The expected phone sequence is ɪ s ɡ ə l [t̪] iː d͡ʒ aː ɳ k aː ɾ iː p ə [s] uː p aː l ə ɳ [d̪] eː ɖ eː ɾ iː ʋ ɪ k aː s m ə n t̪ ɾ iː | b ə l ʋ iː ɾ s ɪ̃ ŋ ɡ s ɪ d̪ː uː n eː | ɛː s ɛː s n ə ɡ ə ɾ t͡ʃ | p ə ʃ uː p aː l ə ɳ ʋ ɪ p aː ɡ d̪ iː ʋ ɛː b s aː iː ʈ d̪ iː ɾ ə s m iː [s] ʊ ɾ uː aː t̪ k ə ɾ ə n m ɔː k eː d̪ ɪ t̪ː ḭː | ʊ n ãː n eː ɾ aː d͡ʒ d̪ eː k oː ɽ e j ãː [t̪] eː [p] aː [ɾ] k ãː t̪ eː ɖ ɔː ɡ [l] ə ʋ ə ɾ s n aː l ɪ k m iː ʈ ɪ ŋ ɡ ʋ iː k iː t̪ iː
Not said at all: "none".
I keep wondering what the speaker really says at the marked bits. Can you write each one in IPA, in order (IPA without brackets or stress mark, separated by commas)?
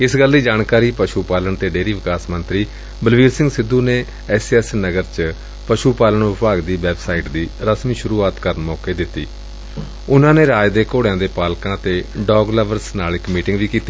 d̪, ʃ, t̪, ʃ, d̪, p, l, l